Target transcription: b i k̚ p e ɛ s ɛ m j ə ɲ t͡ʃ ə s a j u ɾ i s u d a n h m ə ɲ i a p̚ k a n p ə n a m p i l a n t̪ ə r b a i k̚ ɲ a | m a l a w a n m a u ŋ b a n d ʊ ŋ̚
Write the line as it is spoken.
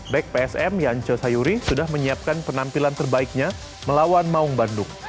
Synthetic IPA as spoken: b ɛ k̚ p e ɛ s ɛ m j a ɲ t͡ʃ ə s a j u ɾ i s u d a h m ə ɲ i a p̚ k a n p ə n a m p i l a n t̪ ə r b a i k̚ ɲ a | m ə l a w a n m a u ŋ b a n d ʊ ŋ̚